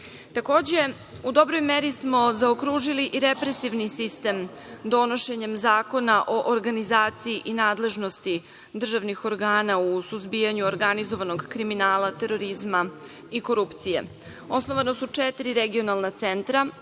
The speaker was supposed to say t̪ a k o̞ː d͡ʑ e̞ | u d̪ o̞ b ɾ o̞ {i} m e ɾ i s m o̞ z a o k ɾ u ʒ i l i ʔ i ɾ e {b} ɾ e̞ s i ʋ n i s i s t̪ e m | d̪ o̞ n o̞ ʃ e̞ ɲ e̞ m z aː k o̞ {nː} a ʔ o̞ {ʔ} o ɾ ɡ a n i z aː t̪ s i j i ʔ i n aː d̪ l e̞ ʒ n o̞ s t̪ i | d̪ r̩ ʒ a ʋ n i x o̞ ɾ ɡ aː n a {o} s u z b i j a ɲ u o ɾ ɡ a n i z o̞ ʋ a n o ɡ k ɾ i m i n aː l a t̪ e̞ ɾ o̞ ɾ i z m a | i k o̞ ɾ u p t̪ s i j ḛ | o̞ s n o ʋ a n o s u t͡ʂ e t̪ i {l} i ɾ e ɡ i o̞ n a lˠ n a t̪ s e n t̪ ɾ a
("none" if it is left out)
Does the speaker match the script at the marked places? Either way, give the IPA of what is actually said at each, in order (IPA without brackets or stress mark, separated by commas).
j, p, n, ʔ, u, ɾ